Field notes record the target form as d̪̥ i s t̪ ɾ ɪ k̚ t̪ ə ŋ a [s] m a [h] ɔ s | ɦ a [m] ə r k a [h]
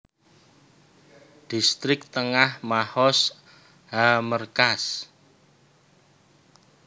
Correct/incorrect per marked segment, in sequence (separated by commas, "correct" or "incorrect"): incorrect, correct, correct, incorrect